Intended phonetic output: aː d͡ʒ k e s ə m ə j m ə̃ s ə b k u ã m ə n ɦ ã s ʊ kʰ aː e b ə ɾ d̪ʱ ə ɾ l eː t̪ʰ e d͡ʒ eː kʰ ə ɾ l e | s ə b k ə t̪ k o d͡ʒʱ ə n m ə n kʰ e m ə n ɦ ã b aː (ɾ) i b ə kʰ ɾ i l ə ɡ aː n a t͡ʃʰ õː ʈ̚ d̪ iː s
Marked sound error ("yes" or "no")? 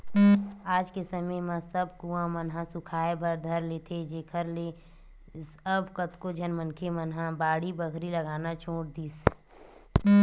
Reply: yes